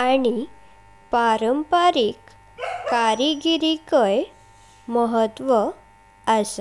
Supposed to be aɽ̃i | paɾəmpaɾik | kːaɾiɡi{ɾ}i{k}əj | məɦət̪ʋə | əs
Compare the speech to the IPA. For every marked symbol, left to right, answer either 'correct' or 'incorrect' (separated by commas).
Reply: correct, correct